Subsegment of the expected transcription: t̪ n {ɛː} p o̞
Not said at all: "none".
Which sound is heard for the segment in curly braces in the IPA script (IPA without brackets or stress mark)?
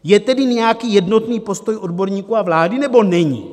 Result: iː